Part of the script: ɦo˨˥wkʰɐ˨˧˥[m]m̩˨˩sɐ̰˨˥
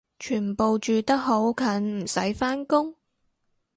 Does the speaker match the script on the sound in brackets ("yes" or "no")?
no